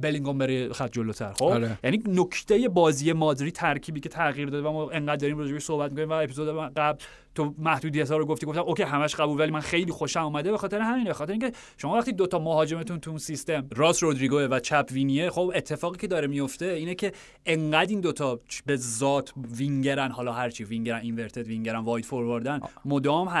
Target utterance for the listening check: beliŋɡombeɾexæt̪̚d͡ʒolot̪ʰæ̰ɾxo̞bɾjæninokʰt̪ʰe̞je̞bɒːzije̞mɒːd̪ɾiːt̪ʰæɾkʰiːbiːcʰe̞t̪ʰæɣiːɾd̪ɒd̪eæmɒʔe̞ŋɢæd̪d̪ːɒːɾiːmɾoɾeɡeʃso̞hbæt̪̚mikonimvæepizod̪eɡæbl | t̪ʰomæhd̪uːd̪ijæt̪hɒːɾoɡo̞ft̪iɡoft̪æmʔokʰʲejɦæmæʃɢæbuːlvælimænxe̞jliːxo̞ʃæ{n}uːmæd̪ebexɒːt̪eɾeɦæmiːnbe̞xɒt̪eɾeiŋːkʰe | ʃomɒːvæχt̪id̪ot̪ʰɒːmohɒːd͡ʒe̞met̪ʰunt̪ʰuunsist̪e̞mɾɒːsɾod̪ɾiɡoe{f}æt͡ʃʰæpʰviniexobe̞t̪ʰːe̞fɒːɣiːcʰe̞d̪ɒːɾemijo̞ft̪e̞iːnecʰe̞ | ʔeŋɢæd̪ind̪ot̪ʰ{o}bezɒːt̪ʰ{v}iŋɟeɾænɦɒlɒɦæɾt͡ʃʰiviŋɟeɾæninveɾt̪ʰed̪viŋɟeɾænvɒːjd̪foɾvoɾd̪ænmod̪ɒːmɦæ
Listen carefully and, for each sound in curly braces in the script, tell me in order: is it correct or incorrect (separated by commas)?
incorrect, incorrect, incorrect, correct